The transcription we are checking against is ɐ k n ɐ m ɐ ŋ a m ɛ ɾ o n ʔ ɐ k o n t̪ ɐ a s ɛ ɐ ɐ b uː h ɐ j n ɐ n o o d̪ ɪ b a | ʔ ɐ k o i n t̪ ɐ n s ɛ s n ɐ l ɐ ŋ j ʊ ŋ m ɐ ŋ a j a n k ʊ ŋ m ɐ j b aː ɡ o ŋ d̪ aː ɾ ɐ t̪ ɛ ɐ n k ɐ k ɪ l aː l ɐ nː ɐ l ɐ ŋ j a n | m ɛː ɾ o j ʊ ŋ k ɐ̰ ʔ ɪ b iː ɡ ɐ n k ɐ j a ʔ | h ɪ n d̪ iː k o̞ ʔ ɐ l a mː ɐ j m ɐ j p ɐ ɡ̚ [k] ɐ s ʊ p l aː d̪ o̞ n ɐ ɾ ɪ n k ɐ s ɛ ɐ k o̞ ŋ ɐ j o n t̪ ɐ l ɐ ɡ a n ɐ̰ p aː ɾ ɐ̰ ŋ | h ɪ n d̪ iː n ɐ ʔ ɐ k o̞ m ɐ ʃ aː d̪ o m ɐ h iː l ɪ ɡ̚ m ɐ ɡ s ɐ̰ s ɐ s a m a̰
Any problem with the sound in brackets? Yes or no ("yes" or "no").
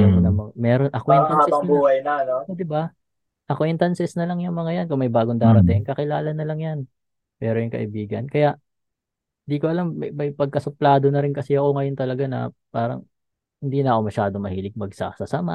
no